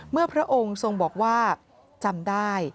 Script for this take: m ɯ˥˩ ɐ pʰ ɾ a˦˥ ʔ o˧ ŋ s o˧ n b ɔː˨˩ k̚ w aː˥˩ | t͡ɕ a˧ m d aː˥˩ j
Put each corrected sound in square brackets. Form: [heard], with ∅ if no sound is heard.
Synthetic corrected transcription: m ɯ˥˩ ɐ pʰ ɾ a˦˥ ʔ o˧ ŋ s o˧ [ŋ] b ɔː˨˩ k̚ w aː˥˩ | t͡ɕ a˧ m d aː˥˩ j